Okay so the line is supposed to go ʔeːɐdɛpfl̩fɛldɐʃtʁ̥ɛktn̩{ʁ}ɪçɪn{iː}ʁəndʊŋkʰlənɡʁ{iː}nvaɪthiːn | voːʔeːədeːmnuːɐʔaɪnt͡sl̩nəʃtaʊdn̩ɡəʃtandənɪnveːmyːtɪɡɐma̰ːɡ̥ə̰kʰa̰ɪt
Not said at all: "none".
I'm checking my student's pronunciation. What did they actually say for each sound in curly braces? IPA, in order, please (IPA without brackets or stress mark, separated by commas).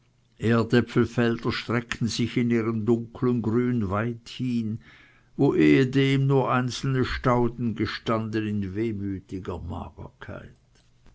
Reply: z, iː, yː